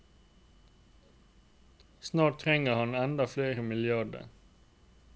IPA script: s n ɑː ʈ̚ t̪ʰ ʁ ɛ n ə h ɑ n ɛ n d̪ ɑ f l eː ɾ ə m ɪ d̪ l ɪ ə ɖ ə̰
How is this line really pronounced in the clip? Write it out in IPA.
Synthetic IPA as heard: s n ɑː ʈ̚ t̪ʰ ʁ ɛ ŋ ə h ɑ n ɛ n d̪ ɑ f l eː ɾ ə m ɪ l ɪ ɑ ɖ ə̰